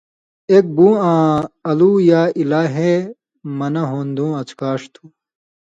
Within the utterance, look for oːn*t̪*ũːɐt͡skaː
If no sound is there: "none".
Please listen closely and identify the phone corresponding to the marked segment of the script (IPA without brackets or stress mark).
d̪